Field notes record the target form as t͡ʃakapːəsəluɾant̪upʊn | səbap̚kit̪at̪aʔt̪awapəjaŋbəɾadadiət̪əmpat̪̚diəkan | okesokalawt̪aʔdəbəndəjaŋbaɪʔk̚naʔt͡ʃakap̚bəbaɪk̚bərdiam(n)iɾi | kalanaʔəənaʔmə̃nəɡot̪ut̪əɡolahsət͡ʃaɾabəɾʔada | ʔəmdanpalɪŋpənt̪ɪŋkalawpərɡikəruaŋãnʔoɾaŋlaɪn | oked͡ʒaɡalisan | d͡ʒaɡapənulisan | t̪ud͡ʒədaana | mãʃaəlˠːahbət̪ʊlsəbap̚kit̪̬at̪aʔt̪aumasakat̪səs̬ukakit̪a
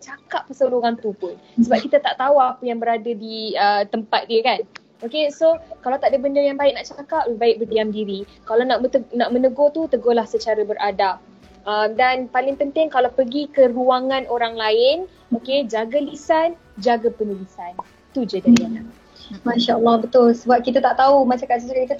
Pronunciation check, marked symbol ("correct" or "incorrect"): incorrect